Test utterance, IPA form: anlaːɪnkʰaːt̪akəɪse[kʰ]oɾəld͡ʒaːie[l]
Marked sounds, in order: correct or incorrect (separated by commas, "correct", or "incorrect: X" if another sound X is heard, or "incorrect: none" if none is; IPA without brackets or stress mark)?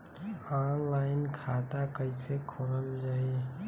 correct, incorrect: none